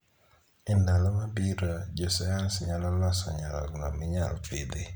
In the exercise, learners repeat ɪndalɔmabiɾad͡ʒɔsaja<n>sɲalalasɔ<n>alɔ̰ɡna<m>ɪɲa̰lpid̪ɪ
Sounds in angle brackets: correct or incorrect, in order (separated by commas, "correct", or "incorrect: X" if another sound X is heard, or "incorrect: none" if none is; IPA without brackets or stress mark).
correct, incorrect: ɲ, correct